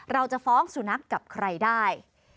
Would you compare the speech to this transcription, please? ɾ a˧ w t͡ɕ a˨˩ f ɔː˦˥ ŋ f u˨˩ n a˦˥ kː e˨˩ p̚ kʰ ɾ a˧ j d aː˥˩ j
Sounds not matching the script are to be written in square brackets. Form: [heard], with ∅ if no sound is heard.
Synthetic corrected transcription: ɾ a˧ w t͡ɕ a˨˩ f ɔː˦˥ ŋ [s] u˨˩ n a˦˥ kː [a˨˩] p̚ kʰ ɾ a˧ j d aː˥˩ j